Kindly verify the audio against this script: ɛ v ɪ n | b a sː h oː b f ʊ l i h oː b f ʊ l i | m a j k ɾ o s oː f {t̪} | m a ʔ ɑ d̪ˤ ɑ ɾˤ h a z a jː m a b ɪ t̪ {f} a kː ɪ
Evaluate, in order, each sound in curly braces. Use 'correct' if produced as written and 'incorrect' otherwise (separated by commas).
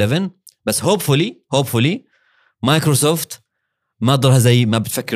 correct, correct